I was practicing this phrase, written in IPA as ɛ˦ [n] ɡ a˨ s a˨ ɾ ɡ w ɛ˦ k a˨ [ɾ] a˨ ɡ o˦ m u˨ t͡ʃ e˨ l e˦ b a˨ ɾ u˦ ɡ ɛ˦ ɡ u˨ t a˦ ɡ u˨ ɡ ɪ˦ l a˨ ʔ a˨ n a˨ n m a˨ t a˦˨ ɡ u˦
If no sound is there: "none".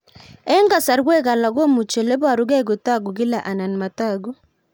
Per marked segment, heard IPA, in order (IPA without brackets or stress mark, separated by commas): ŋ, l